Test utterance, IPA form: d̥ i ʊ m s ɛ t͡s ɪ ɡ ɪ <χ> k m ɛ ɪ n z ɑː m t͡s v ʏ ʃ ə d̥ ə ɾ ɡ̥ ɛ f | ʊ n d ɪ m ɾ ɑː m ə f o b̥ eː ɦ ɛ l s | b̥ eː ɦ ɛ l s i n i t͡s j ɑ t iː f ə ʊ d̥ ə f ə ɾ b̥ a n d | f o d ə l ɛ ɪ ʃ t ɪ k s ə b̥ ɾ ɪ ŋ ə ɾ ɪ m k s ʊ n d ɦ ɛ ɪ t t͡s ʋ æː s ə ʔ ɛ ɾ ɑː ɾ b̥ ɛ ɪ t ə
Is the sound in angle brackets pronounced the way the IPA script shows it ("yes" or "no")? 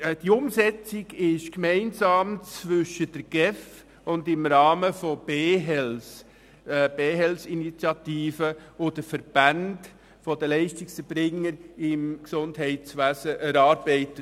no